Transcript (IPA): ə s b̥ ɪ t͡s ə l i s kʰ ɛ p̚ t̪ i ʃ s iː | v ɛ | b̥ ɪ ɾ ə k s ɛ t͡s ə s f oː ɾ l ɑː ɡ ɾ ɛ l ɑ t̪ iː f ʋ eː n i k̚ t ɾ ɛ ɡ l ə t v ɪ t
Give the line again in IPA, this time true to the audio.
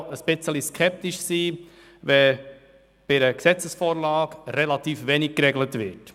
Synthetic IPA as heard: ə s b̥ ɪ t͡s ə l i s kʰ ɛ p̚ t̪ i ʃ s iː | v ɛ | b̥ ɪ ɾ ə k s ɛ t͡s ə s f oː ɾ l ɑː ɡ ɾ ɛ l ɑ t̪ iː f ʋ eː n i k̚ k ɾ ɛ ɡ l ə t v ɪ t